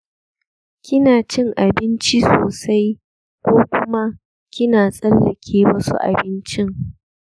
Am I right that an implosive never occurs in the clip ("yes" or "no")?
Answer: yes